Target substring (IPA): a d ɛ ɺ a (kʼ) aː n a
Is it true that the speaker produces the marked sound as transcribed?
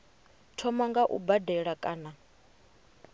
yes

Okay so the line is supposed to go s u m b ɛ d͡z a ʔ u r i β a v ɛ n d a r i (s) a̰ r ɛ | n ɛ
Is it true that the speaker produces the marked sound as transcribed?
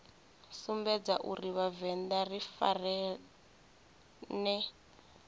no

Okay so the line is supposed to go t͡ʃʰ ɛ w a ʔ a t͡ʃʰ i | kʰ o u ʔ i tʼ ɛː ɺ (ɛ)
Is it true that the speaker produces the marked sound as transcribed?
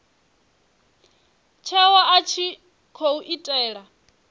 no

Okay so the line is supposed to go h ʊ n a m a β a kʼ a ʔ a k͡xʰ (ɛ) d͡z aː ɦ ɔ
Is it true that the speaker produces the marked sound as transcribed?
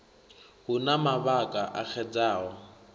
yes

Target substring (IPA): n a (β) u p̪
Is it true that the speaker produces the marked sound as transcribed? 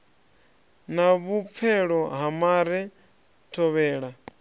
yes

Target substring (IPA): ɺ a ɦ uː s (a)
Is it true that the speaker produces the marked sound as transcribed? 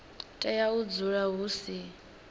no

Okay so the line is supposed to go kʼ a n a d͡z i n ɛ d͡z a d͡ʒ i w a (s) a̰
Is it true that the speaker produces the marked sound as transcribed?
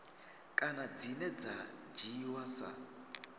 yes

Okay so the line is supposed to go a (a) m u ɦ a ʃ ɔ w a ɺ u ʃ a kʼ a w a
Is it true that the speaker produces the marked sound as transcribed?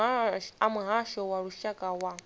yes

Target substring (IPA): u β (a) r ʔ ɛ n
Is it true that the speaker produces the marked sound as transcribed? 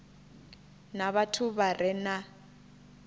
yes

